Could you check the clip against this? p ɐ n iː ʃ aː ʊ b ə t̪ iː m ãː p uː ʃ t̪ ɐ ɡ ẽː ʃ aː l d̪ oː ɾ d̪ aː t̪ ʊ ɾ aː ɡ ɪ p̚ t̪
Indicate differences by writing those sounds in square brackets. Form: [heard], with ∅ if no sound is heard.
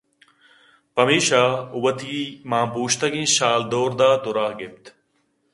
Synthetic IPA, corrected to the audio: p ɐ [m] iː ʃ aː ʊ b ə t̪ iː m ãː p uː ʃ t̪ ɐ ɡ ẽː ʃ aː l d̪ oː ɾ d̪ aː t̪ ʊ ɾ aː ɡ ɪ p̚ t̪